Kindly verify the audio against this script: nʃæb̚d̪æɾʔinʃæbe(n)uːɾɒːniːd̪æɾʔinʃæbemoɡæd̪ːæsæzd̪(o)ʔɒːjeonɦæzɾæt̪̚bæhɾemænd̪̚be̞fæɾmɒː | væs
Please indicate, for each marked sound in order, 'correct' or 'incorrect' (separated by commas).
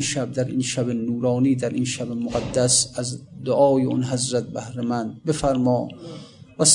correct, correct